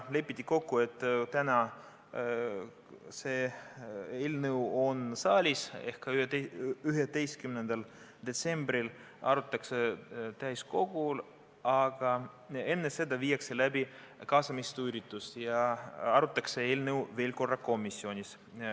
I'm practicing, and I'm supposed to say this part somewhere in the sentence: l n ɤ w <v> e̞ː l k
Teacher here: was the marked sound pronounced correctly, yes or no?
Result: yes